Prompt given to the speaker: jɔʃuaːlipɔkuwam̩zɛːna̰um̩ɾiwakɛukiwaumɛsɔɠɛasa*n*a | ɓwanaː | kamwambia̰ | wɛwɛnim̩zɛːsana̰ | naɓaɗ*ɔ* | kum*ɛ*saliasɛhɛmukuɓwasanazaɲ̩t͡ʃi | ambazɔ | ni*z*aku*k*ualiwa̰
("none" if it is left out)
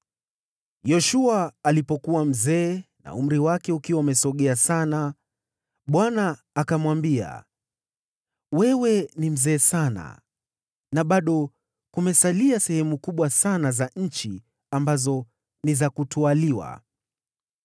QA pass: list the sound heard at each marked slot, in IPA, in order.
n, ɔ, ɛ, z, t

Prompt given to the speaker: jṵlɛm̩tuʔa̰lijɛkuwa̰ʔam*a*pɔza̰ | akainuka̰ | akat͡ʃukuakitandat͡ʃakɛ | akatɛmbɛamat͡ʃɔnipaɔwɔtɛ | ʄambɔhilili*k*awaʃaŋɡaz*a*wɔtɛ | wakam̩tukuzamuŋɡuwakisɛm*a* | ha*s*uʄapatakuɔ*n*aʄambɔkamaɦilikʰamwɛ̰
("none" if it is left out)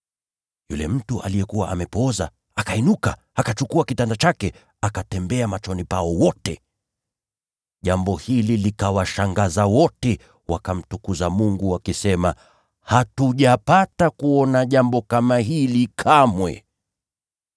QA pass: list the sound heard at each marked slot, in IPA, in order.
ɛ, k, a, a, t, n

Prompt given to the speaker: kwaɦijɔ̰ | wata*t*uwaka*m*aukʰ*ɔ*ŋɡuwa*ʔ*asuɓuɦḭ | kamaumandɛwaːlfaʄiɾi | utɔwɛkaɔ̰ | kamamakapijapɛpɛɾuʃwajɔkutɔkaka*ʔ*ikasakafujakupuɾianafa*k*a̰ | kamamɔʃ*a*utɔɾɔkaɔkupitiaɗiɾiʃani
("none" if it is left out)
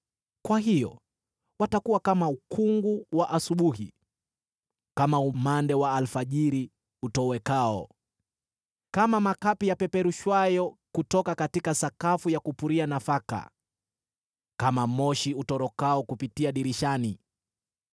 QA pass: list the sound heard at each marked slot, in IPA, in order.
k, m, u, ʔ, t, k, i

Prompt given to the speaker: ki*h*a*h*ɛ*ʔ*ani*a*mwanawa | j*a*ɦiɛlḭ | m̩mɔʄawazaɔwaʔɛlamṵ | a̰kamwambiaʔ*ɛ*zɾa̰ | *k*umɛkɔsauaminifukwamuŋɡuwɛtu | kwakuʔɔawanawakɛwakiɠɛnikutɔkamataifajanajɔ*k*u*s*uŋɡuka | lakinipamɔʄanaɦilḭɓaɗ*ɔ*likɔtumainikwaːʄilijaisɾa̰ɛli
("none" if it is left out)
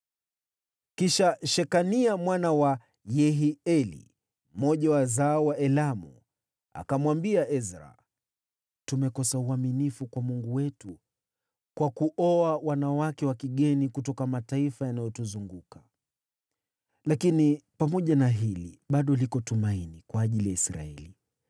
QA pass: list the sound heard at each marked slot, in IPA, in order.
ʃ, ʃ, k, a, ɛ, ɛ, t, t, z, ɔ

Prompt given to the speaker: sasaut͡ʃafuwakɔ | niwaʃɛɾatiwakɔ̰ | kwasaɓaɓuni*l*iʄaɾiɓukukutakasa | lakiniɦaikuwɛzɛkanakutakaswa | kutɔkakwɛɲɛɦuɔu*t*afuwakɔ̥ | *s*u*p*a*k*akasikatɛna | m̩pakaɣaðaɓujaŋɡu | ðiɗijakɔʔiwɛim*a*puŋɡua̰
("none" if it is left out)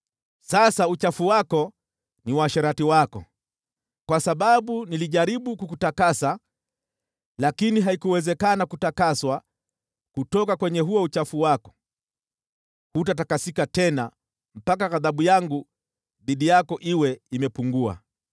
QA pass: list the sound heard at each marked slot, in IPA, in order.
l, t͡ʃ, h, t, t, ɛ

